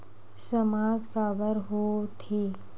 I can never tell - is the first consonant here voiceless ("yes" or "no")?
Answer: yes